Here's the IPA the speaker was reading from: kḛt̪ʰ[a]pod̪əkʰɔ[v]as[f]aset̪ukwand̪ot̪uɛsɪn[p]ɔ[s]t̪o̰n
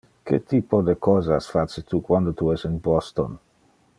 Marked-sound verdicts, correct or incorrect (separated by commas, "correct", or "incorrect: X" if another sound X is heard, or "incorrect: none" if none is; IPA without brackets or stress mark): incorrect: i, incorrect: z, correct, incorrect: b, correct